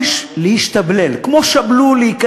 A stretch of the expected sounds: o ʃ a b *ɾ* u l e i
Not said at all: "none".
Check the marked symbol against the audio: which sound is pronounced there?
l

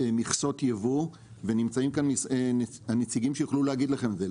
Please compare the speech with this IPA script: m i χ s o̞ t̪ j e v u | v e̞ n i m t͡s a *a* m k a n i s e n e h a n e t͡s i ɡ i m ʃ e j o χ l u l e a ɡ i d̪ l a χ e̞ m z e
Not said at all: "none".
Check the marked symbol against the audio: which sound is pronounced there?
i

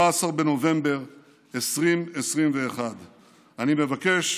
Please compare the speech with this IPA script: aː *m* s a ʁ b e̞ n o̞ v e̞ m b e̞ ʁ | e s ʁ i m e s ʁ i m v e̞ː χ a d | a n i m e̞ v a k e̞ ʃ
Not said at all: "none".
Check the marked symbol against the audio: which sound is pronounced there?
none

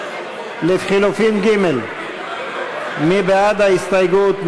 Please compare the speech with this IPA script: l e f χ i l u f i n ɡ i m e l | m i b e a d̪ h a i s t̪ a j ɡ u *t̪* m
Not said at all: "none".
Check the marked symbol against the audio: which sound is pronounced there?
t̪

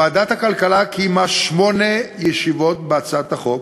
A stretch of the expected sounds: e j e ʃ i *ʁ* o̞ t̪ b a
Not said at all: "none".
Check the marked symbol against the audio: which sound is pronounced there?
v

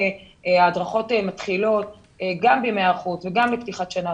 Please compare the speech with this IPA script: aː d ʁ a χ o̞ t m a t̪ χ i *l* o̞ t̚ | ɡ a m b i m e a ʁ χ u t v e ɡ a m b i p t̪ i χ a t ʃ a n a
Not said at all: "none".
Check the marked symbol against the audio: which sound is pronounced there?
l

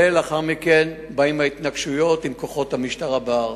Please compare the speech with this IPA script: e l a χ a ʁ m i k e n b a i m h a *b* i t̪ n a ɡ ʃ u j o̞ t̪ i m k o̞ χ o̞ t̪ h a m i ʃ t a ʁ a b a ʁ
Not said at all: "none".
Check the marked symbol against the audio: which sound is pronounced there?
none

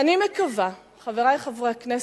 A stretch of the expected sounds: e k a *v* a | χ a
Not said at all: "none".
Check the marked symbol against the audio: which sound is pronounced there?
v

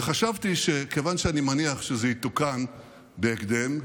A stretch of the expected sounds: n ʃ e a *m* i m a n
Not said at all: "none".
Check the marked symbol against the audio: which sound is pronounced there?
n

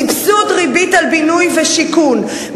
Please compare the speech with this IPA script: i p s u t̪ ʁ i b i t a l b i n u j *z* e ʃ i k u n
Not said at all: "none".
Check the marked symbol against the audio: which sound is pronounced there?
v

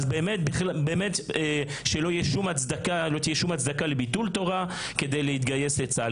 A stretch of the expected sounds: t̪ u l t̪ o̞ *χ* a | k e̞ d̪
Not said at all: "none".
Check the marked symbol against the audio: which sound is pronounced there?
ʁ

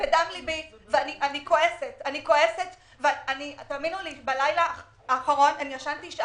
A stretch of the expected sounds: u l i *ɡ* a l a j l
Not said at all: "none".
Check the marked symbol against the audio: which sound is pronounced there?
b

